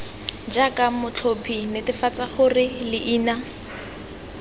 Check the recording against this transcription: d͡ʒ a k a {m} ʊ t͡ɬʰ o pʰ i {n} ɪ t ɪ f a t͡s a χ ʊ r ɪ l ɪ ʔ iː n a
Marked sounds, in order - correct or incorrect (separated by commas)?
correct, correct